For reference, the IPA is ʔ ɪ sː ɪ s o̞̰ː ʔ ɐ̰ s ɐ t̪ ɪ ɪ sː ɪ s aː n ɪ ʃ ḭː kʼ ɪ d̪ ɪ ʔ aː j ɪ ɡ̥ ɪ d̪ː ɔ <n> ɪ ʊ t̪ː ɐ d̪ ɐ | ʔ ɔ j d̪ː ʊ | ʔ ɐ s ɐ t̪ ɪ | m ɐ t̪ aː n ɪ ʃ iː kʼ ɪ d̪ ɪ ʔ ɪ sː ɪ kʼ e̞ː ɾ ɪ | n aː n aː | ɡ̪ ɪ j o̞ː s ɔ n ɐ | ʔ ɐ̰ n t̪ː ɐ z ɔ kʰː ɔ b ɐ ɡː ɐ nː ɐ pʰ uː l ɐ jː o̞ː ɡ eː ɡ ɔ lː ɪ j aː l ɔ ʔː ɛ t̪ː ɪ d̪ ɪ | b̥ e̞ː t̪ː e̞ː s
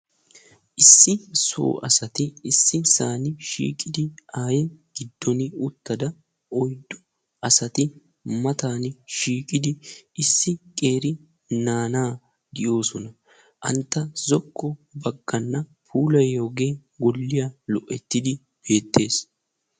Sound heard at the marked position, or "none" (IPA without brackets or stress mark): n